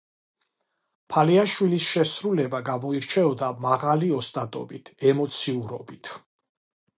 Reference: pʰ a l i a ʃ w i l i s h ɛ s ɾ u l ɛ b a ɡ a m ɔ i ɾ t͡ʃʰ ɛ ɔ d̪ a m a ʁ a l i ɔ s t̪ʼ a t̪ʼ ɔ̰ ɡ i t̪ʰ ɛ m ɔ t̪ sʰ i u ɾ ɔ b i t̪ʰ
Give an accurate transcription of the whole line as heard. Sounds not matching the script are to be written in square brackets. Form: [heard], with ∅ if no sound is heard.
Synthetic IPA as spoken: pʰ a l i a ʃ w i l i s [ʃ] ɛ s ɾ u l ɛ b a ɡ a m ɔ i ɾ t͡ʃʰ ɛ ɔ d̪ a m a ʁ a l i ɔ s t̪ʼ a t̪ʼ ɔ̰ [b] i t̪ʰ ɛ m ɔ t̪ sʰ i u ɾ ɔ b i t̪ʰ

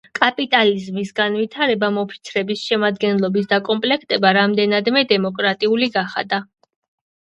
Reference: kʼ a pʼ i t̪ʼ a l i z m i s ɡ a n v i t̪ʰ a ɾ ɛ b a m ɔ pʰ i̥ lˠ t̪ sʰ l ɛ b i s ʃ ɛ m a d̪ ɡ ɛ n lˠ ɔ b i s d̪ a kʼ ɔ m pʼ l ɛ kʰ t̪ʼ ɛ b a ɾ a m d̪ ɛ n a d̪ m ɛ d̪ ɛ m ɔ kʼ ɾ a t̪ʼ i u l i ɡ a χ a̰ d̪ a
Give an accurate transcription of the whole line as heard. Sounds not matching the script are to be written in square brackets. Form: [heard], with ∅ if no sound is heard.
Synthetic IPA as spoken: kʼ a pʼ i t̪ʼ a l i z m i s ɡ a n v i t̪ʰ a ɾ ɛ b a m ɔ pʰ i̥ [∅] t̪ sʰ [ɾ] ɛ b i s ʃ ɛ m a d̪ ɡ ɛ n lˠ ɔ b i s d̪ a kʼ ɔ m pʼ l ɛ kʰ t̪ʼ ɛ b a ɾ a m d̪ ɛ n a d̪ m ɛ d̪ ɛ m ɔ kʼ ɾ a t̪ʼ i u l i ɡ a χ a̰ d̪ a

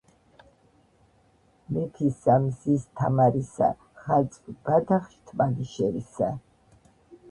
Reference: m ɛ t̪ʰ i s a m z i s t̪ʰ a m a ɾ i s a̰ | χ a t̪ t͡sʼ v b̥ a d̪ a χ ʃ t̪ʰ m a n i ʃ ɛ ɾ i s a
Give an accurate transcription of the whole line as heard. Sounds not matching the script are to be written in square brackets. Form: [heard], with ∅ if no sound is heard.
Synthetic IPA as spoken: m ɛ t̪ʰ i s a m z i s t̪ʰ a m a ɾ i s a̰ | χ a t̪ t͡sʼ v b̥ a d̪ a χ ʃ t̪ʰ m a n i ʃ ɛ ɾ i s a

